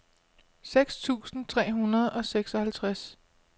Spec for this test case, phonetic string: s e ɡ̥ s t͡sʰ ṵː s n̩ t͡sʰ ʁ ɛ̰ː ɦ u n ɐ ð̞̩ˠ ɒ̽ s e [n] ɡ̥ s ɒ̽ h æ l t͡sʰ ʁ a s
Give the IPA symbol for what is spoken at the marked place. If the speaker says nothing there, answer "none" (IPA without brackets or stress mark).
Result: none